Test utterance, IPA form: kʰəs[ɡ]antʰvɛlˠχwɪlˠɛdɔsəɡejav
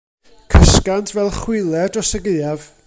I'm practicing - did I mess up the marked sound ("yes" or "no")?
yes